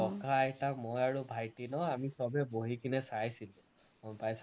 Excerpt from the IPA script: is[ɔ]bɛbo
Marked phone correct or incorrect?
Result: correct